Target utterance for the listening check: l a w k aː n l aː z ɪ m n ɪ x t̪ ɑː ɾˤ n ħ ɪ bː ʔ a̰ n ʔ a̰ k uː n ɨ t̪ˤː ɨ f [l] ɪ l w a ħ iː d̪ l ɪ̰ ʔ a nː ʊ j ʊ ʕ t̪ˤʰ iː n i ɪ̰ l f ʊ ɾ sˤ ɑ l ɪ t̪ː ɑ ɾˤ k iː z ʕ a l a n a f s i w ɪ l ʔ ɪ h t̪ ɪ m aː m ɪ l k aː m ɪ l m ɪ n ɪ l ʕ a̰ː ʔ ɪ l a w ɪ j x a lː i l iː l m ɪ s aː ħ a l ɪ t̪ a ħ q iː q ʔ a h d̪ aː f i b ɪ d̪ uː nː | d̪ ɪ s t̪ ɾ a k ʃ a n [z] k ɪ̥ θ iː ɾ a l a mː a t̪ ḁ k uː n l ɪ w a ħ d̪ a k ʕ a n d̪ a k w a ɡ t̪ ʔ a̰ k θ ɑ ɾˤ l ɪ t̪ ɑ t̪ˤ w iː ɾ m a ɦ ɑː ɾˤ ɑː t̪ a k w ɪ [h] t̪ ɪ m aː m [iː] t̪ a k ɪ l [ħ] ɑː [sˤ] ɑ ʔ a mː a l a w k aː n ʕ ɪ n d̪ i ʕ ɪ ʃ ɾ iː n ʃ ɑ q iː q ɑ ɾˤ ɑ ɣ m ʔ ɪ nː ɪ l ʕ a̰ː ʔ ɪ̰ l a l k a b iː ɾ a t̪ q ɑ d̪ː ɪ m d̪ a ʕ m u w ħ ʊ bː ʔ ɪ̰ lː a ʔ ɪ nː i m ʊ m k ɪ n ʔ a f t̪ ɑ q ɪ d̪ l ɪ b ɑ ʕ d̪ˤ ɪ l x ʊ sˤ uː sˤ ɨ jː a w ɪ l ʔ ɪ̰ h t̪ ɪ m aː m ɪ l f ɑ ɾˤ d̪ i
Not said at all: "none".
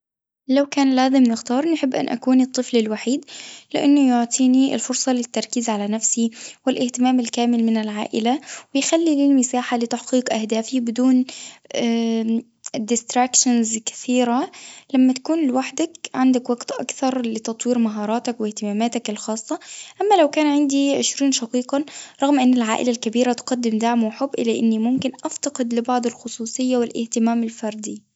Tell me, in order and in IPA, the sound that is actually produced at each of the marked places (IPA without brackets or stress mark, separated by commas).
l, z, h, aː, x, sˤː